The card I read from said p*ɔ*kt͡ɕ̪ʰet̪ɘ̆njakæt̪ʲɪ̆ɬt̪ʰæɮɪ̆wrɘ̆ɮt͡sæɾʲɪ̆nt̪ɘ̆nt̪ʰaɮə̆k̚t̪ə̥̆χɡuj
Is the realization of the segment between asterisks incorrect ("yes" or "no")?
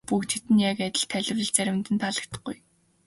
yes